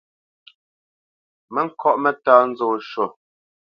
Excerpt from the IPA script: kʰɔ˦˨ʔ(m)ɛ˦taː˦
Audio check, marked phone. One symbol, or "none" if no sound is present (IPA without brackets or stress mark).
m